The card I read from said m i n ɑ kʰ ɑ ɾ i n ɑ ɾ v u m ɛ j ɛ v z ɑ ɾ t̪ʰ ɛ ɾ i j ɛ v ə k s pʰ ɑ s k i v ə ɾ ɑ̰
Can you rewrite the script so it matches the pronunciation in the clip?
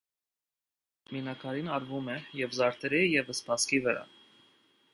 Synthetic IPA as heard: m i n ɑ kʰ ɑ ɾ i n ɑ ɾ v u m ɛ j ɛ v z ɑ ɾ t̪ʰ ɛ ɾ i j ɛ v ə s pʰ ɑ s k i v ə ɾ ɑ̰